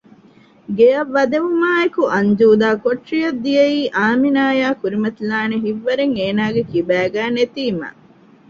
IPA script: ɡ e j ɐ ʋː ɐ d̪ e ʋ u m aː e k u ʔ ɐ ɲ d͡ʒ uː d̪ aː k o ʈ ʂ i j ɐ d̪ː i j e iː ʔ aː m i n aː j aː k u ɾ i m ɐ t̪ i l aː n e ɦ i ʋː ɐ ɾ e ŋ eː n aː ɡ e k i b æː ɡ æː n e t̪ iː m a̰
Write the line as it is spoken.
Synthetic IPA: ɡ e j ɐ ʋː ɐ d̪ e ʋ u m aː e k u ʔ ɐ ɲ d͡ʒ uː d̪ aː k o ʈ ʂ i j ɐ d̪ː i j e iː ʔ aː m i n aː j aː k u ɾ i m ɐ t̪ i l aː n e ɦ i ʋː ɐ ɾ e ŋ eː n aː ɡ e k i b æː ɡ æː n e t̪ iː m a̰